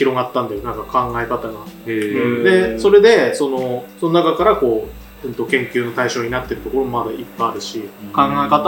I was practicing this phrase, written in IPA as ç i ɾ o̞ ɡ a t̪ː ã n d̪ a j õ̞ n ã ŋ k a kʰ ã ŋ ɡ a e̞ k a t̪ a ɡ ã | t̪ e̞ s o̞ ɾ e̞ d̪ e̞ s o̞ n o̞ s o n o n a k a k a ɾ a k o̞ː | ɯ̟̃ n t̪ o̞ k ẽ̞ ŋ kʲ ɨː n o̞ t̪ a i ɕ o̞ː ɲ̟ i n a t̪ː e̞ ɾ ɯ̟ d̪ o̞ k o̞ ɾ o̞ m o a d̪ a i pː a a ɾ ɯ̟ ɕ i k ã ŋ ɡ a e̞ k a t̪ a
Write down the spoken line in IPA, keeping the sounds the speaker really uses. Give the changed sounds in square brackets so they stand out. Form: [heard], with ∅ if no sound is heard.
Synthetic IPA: ç i ɾ o̞ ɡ a t̪ː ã n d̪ a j [o̞] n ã ŋ k a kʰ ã ŋ ɡ a e̞ k a t̪ a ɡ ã | [d̪] e̞ s o̞ ɾ e̞ d̪ e̞ s o̞ n o̞ s o n o n a k a k a ɾ a k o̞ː | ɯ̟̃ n t̪ o̞ k ẽ̞ ŋ kʲ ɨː n o̞ t̪ a i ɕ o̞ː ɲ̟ i n a t̪ː e̞ ɾ ɯ̟ [t̪] o̞ k o̞ ɾ o̞ m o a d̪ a i pː a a ɾ ɯ̟ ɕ i k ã ŋ ɡ a e̞ k a t̪ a